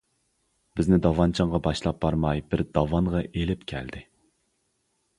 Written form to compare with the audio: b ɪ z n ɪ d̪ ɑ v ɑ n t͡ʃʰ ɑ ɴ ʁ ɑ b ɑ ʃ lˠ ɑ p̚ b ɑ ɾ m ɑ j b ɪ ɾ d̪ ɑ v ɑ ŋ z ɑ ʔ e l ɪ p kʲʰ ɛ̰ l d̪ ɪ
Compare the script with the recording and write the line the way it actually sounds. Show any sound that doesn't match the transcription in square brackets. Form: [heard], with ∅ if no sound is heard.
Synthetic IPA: b ɪ z n ɪ d̪ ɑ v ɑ n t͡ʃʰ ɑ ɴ ʁ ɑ b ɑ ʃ lˠ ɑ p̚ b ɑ ɾ m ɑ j b ɪ ɾ d̪ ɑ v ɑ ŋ [ʁ] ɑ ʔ e l ɪ p kʲʰ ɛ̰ l d̪ ɪ